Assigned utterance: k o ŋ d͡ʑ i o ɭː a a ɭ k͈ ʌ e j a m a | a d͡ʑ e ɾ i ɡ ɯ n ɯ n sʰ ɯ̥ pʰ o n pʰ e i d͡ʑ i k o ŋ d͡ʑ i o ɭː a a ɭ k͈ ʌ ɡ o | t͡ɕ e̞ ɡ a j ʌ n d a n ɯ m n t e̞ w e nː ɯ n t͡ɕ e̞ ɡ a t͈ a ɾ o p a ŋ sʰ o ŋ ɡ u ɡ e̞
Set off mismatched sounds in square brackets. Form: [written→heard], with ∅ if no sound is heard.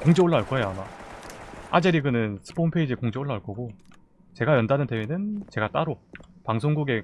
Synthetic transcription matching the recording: k o ŋ d͡ʑ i o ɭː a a ɭ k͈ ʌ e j a m a | a d͡ʑ e ɾ i ɡ ɯ n ɯ n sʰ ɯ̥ pʰ o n pʰ e i d͡ʑ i k o ŋ d͡ʑ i o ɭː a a ɭ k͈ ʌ ɡ o | t͡ɕ e̞ ɡ a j ʌ n d a n ɯ [m→∅] n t e̞ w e [nː→n] ɯ n t͡ɕ e̞ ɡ a t͈ a ɾ o p a ŋ sʰ o ŋ ɡ u ɡ e̞